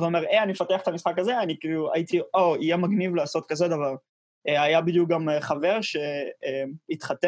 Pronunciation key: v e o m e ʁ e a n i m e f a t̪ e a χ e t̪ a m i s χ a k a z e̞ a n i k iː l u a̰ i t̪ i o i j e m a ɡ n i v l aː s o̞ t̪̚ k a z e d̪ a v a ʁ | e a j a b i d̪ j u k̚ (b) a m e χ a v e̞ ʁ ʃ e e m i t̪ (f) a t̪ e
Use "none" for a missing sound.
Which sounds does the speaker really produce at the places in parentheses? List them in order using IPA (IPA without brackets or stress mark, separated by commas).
ɡ, χ